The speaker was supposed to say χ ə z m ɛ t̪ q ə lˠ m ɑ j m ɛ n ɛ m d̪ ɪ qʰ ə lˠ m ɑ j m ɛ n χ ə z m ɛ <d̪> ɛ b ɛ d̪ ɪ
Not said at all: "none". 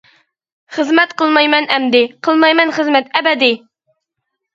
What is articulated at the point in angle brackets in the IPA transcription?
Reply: t̪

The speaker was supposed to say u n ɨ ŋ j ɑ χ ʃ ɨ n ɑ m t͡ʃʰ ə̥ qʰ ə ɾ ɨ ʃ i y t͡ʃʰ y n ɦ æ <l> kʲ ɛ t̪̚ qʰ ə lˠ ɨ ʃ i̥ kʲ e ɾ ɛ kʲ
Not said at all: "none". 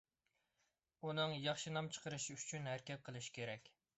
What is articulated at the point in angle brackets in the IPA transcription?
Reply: ɾ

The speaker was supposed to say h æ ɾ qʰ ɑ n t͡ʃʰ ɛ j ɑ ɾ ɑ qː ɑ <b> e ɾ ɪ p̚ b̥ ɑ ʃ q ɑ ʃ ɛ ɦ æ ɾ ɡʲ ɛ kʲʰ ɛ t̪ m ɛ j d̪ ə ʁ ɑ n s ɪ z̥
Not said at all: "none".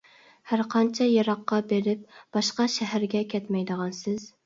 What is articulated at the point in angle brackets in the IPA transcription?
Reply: b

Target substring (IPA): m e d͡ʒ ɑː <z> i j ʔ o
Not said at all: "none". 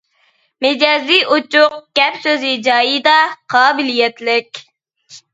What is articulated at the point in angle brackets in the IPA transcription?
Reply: z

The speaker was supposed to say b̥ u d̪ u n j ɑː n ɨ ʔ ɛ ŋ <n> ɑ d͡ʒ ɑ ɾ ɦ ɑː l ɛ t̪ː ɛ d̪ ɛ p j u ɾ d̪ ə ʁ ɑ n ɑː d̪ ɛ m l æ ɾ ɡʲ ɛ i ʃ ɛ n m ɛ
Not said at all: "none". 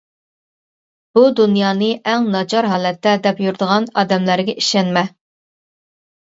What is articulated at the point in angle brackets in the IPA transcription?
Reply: n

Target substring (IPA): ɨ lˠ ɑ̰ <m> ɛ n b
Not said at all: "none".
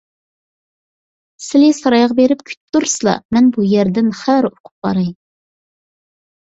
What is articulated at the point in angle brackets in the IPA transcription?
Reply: m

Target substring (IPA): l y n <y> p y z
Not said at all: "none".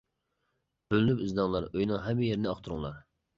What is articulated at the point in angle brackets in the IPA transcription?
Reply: y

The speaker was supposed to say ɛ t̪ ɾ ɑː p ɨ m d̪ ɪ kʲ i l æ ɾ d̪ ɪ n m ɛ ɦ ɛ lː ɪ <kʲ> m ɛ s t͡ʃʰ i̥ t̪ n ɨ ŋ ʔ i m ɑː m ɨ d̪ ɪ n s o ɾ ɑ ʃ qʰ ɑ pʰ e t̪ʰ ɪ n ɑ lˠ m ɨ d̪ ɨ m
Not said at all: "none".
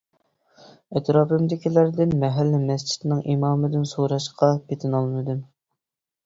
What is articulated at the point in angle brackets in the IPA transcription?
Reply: none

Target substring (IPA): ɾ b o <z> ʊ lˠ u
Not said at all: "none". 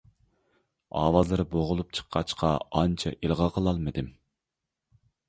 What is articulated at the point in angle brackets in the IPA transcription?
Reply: ʁ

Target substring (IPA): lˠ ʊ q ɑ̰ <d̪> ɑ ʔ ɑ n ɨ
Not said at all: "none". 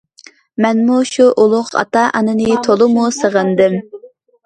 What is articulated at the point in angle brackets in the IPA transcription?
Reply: t̪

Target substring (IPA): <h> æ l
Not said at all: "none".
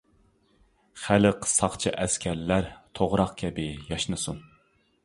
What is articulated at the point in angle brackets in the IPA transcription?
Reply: χ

